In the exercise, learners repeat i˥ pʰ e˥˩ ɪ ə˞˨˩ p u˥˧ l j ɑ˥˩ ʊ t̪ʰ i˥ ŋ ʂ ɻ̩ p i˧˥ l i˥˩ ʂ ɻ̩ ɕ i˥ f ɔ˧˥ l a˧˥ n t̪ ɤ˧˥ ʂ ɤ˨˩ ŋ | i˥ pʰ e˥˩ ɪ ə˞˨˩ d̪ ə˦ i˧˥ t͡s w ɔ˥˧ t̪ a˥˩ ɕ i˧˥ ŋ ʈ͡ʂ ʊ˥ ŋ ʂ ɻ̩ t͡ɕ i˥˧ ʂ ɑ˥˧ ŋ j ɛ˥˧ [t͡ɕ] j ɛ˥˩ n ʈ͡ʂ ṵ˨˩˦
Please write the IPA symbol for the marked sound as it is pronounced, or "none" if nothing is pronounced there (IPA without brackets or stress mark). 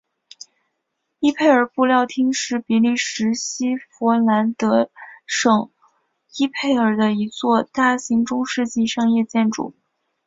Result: t͡ɕ